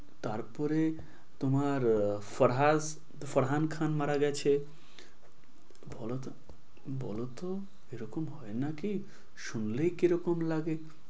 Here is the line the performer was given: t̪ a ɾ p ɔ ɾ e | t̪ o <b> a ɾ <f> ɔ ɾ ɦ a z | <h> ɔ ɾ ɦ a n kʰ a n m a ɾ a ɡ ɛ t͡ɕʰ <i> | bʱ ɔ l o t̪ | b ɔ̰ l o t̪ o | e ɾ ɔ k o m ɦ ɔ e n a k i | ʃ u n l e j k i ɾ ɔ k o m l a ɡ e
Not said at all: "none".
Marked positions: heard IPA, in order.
m, f, f, e

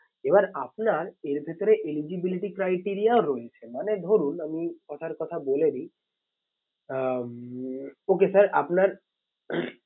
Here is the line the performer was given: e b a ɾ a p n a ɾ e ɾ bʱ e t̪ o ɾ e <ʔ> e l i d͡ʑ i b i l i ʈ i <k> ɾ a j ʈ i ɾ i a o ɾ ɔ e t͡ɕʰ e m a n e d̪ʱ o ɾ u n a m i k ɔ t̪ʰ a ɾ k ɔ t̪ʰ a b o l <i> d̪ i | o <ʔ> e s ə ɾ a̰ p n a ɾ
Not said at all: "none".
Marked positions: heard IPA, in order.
ʔ, k, e, k

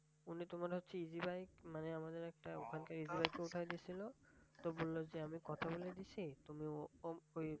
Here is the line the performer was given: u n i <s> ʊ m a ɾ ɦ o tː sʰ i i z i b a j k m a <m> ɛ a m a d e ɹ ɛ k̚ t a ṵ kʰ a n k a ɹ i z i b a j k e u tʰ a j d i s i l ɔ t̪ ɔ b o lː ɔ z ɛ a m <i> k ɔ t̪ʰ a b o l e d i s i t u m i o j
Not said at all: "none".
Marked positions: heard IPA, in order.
t, n, i

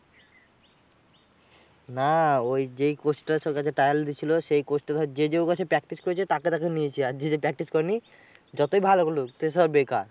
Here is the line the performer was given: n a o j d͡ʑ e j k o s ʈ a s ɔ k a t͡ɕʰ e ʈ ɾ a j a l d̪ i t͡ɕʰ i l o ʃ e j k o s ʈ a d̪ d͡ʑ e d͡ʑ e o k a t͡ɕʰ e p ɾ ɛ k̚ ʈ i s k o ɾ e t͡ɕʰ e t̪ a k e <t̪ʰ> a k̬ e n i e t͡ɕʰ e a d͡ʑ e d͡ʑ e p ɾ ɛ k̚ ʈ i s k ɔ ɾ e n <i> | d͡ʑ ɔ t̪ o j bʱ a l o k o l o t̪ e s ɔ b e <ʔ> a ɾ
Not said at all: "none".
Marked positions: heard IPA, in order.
t̪, i, k

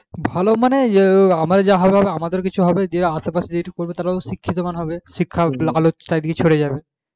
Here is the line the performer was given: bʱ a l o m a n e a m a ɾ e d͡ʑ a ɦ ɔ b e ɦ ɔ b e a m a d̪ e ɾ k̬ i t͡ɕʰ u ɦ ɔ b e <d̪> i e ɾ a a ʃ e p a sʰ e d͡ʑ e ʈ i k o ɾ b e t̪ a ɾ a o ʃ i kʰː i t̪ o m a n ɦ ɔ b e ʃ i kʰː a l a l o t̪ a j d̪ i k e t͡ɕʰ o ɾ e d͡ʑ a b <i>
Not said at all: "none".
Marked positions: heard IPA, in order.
d̪, e

